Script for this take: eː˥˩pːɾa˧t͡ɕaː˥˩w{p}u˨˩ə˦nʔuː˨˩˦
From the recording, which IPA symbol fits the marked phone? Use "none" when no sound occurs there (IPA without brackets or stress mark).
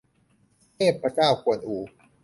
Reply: k